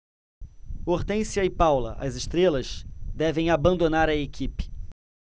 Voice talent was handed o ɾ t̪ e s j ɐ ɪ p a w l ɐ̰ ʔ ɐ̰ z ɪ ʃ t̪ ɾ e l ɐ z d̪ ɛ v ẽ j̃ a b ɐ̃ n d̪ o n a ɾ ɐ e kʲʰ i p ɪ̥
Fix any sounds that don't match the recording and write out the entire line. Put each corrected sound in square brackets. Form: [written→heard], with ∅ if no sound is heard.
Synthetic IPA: o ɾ t̪ [e→ẽ] s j ɐ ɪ p a w l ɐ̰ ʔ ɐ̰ z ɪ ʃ t̪ ɾ e l ɐ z d̪ ɛ v ẽ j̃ a b ɐ̃ n d̪ o n a ɾ ɐ e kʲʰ i p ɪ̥

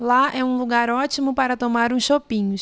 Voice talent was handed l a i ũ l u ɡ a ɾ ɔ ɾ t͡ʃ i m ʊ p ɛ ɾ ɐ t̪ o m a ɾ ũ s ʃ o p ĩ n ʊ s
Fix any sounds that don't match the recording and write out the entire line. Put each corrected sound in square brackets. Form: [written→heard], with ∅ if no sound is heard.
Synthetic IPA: l a [i→ɛ] ũ l u ɡ a ɾ ɔ [ɾ→∅] t͡ʃ i m ʊ p [ɛ→a] ɾ ɐ t̪ o m a ɾ ũ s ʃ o p ĩ [n→ɲ] ʊ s

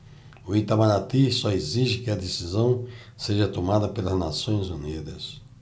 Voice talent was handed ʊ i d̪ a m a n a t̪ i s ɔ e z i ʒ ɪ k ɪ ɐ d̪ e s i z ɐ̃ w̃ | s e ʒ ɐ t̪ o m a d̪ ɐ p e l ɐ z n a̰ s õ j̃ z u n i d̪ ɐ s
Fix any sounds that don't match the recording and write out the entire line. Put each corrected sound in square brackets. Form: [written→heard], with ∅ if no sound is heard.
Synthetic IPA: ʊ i [d̪→t̪] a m a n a t̪ i s ɔ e z i ʒ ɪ k ɪ ɐ d̪ e s i z ɐ̃ w̃ | s e ʒ ɐ t̪ o m a d̪ ɐ p e l ɐ z n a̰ s õ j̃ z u n i d̪ ɐ s

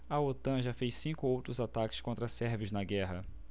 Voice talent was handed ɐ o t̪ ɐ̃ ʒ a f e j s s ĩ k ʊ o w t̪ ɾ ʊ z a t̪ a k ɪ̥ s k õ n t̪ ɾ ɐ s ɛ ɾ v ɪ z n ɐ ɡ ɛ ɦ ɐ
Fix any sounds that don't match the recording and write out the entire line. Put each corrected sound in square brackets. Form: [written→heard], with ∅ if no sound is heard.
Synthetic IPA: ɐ o t̪ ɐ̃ ʒ a f e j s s ĩ k ʊ o w t̪ ɾ ʊ z a t̪ a k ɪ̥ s k õ n t̪ ɾ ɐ s ɛ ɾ v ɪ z n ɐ ɡ ɛ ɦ ɐ

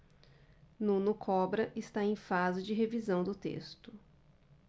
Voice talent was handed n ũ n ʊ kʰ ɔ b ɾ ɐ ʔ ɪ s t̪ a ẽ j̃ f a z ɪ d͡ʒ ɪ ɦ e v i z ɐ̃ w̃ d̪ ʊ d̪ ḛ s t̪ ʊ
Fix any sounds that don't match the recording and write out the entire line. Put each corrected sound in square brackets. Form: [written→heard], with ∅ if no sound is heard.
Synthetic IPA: n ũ n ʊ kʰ ɔ b ɾ ɐ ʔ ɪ s t̪ a ẽ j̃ f a z ɪ d͡ʒ ɪ ɦ e v i z ɐ̃ w̃ d̪ ʊ [d̪→t̪] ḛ s t̪ ʊ

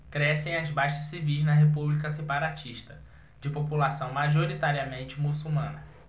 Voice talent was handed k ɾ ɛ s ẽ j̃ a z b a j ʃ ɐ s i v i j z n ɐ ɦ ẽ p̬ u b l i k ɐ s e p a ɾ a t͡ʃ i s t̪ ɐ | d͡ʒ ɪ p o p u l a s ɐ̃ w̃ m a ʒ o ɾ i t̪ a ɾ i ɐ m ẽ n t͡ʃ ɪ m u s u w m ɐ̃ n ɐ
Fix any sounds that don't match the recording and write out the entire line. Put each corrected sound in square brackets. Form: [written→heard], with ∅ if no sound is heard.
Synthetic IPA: k ɾ ɛ s ẽ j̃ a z b a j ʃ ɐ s i v i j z n ɐ ɦ [ẽ→e] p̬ u b l i k ɐ s e p a ɾ a t͡ʃ i [s→ʃ] t̪ ɐ | d͡ʒ ɪ p o p u l a s ɐ̃ w̃ m a ʒ o ɾ i t̪ a ɾ i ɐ m ẽ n t͡ʃ ɪ m u s u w m ɐ̃ n ɐ

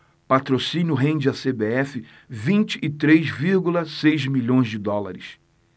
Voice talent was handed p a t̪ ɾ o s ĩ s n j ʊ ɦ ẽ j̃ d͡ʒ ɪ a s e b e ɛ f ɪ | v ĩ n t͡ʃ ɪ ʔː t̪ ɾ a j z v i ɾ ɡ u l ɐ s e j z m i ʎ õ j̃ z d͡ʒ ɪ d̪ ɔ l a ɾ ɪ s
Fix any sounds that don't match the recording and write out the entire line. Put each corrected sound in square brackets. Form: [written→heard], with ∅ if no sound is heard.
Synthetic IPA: p a t̪ ɾ o s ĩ [s→∅] n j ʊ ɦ ẽ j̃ d͡ʒ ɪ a s e b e ɛ f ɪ | v ĩ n t͡ʃ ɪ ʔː t̪ ɾ [a→e] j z v i ɾ ɡ u l ɐ s e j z m i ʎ õ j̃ z d͡ʒ ɪ d̪ ɔ l a ɾ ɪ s

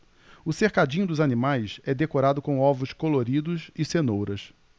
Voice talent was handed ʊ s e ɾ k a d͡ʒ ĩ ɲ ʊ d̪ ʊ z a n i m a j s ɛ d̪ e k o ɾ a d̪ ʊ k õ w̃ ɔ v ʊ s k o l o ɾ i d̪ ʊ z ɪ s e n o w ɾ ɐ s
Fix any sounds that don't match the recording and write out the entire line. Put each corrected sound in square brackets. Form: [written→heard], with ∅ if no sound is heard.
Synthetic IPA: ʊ s e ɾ k a d͡ʒ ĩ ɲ ʊ d̪ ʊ z a n i m a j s ɛ d̪ e k o ɾ a d̪ ʊ k õ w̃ ɔ v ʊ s k o l o ɾ i d̪ ʊ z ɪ s e n o w ɾ ɐ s

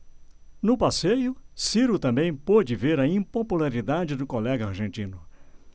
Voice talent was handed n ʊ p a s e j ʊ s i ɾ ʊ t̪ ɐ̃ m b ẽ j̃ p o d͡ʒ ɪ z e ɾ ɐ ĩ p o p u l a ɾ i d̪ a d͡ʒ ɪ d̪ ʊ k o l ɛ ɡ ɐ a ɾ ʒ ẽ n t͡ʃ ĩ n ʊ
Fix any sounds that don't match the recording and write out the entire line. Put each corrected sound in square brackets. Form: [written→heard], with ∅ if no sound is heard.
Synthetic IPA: n ʊ p a s e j ʊ s i ɾ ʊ t̪ ɐ̃ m b ẽ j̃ p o d͡ʒ ɪ [z→v] e ɾ ɐ ĩ p o p u l a ɾ i d̪ a d͡ʒ ɪ d̪ ʊ k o l ɛ ɡ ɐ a ɾ ʒ ẽ n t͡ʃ ĩ n ʊ

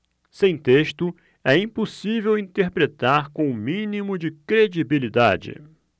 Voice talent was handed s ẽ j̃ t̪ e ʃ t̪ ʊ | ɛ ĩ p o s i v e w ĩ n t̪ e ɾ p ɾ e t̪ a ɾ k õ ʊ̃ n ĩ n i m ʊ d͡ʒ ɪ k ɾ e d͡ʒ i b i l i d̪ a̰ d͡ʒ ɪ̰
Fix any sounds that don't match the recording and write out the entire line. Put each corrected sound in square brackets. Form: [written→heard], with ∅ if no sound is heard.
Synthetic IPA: s ẽ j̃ t̪ e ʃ t̪ ʊ | ɛ ĩ p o s i v e w ĩ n t̪ e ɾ p ɾ e t̪ a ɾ k õ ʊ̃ [n→m] ĩ n i m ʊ d͡ʒ ɪ k ɾ e d͡ʒ i b i l i d̪ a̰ d͡ʒ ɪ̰

